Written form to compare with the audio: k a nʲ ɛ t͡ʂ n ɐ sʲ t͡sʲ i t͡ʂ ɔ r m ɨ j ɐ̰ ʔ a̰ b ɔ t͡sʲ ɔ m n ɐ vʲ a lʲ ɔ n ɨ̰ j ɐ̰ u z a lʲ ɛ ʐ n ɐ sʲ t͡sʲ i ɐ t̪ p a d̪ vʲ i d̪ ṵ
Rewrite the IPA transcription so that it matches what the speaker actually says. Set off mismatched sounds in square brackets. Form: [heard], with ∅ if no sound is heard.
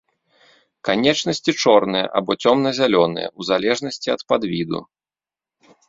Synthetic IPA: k a nʲ ɛ t͡ʂ n ɐ sʲ t͡sʲ i t͡ʂ ɔ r [n] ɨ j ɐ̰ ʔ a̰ b ɔ t͡sʲ ɔ m n ɐ [zʲ] a lʲ ɔ n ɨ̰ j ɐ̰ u z a lʲ ɛ ʐ n ɐ sʲ t͡sʲ i ɐ t̪ p a d̪ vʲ i d̪ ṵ